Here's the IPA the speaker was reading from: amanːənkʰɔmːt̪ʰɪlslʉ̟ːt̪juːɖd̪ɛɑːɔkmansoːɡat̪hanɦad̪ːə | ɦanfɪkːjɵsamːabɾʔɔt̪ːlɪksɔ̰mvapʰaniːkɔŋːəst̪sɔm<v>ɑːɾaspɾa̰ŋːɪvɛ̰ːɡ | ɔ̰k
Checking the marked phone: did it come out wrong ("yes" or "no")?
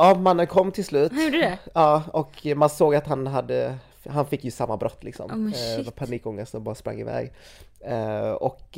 yes